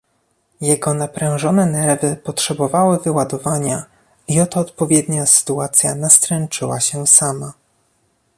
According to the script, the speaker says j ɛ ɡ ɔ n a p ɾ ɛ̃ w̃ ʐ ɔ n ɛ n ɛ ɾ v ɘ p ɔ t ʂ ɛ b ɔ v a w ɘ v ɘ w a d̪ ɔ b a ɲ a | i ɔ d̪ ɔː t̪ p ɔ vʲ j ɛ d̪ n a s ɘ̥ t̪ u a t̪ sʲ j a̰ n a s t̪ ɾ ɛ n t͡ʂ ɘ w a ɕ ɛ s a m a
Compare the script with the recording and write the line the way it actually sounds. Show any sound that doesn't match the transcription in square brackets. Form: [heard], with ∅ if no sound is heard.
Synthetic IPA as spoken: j ɛ ɡ ɔ n a p ɾ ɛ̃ w̃ ʐ ɔ n ɛ n ɛ ɾ v ɘ p ɔ t ʂ ɛ b ɔ v a w ɘ v ɘ w a d̪ ɔ [v] a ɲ a | i ɔ [t̪] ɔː t̪ p ɔ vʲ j ɛ d̪ [ɲ] a s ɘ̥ t̪ u a t̪ sʲ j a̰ n a s t̪ ɾ ɛ n t͡ʂ ɘ w a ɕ ɛ s a m a